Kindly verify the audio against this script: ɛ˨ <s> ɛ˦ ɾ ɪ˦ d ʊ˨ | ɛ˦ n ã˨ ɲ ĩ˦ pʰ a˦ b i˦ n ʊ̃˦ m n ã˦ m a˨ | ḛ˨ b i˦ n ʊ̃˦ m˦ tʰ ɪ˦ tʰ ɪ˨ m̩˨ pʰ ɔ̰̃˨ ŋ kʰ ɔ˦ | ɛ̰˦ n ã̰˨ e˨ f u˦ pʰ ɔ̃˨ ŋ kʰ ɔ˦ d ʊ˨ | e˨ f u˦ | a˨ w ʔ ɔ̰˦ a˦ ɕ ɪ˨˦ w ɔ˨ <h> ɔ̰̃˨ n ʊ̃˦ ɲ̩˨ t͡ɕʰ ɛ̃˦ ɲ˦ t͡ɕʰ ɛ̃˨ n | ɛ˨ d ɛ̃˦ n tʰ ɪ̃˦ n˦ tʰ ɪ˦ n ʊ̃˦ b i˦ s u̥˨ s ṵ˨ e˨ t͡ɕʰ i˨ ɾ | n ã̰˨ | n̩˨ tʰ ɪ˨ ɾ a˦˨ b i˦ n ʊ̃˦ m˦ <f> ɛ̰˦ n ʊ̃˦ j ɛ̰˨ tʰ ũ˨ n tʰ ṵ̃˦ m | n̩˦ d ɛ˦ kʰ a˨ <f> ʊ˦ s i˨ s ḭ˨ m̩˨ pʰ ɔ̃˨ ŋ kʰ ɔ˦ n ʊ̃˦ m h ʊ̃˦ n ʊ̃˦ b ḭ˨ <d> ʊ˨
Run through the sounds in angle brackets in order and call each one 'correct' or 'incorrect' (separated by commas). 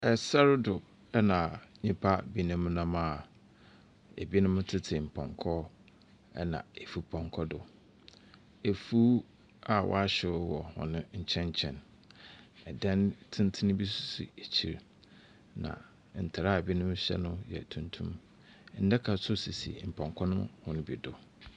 correct, correct, incorrect, incorrect, correct